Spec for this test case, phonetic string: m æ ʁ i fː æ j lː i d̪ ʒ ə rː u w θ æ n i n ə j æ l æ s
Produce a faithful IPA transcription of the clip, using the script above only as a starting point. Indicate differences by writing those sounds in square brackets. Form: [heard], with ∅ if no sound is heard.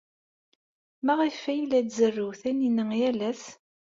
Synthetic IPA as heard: m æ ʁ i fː æ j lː [æ] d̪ [z] ə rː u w θ æ n i n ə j æ l æ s